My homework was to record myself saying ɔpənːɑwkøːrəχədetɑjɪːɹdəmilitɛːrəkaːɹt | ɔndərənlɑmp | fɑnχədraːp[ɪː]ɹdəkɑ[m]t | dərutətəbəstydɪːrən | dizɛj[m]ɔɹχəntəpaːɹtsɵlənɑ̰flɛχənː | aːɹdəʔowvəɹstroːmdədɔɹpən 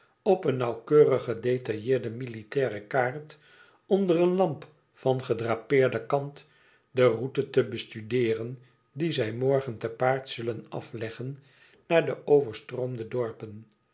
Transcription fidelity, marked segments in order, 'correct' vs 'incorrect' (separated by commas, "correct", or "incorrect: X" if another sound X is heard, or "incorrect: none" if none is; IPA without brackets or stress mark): correct, incorrect: n, correct